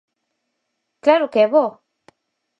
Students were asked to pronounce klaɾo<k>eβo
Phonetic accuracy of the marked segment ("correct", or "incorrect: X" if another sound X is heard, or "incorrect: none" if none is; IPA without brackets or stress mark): correct